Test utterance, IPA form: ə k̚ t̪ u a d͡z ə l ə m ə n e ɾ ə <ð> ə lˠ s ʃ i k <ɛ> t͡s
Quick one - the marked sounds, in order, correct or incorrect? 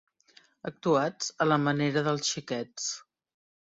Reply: correct, correct

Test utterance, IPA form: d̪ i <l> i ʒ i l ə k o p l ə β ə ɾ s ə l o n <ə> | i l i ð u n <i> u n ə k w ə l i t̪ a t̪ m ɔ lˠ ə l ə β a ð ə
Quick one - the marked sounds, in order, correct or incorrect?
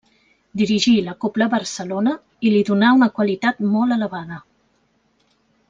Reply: incorrect, correct, incorrect

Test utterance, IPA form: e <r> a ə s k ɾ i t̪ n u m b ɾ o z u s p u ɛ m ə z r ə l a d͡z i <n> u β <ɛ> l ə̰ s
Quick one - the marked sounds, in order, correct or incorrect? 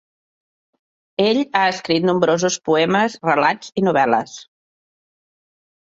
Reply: incorrect, correct, correct

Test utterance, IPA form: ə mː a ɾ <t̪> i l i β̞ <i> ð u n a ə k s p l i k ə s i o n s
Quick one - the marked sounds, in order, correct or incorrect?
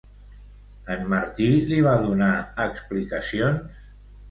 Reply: correct, incorrect

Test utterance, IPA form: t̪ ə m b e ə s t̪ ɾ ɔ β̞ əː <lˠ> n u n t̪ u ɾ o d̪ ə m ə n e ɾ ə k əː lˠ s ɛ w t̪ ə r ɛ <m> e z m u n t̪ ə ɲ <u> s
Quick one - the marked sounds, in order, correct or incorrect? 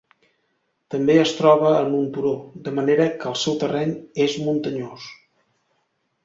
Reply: incorrect, incorrect, incorrect

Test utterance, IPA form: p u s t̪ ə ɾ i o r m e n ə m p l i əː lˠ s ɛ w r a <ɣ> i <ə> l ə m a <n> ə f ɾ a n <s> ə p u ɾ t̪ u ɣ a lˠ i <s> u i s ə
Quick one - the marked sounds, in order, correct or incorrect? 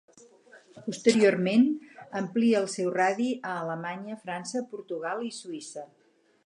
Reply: incorrect, incorrect, incorrect, correct, correct

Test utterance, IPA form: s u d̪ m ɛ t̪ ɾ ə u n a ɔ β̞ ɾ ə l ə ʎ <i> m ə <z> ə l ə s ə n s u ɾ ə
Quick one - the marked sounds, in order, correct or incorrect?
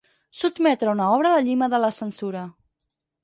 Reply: correct, incorrect

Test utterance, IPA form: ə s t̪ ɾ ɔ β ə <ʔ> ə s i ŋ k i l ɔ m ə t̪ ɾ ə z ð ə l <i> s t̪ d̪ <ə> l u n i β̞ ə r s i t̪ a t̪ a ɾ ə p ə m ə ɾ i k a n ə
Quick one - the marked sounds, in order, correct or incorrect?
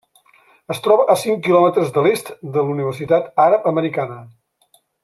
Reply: correct, incorrect, correct

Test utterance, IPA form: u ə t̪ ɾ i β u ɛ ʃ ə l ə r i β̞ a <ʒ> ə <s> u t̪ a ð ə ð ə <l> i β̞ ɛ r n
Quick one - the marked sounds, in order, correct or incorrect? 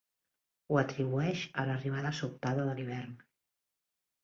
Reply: incorrect, correct, correct

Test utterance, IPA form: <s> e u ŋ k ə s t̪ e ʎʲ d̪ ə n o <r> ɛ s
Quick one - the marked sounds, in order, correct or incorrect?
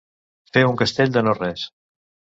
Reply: incorrect, correct

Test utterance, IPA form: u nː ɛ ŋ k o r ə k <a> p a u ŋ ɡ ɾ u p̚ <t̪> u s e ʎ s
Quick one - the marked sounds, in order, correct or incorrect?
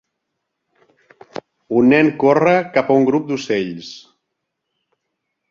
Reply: correct, incorrect

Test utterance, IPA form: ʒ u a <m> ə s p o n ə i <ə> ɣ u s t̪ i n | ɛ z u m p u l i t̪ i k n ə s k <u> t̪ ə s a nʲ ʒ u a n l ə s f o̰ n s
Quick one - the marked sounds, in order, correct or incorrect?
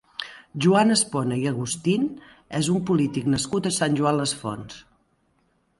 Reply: incorrect, correct, correct

